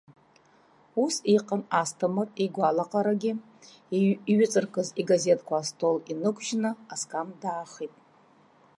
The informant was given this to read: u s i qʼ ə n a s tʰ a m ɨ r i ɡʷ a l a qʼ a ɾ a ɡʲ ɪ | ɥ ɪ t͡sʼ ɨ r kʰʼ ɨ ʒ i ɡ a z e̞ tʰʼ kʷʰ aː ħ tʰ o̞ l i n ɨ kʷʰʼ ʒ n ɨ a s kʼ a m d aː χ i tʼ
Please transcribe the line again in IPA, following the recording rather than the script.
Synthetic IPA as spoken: u s i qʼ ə n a s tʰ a m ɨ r i ɡʷ a l a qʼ a ɾ a ɡʲ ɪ | ɥ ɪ t͡sʼ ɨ r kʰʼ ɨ z i ɡ a z e̞ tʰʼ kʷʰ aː s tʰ o̞ l i n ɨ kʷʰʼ ʒ n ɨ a s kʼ a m d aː χ i tʼ